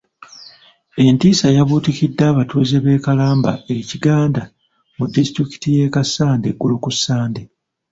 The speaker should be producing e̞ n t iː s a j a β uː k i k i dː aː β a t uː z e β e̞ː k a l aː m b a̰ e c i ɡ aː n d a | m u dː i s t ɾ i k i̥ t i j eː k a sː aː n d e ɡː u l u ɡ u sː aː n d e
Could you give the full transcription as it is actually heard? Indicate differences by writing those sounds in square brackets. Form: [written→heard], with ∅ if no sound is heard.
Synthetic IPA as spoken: e̞ n t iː s a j a β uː [k→t] i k i dː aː β a t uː z e β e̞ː k a l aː m b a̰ e c i ɡ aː n d a | m u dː i s t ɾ i k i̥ t i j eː k a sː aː n d e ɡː u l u [ɡ→k] u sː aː n d e